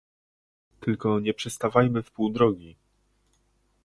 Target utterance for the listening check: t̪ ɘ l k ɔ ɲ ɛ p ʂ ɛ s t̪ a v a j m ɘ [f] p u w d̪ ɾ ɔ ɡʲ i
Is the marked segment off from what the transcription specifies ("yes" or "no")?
no